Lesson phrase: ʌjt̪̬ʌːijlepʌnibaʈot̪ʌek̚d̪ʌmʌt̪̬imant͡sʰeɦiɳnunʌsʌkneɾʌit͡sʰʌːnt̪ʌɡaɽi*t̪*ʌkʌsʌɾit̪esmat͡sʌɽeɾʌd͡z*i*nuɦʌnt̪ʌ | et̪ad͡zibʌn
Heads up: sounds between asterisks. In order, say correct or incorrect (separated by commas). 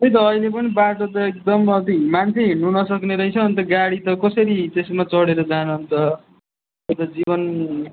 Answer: correct, incorrect